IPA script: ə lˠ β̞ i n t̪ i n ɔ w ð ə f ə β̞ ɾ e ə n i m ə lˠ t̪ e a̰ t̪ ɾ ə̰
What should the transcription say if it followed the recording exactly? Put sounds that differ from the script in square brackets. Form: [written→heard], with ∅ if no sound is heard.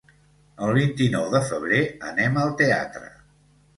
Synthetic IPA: ə lˠ β̞ i n t̪ i n ɔ w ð ə f ə β̞ ɾ e ə n [i→ɛ] m ə lˠ t̪ e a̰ t̪ ɾ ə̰